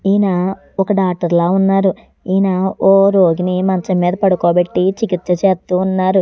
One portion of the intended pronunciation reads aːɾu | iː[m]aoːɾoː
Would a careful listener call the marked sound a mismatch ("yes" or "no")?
yes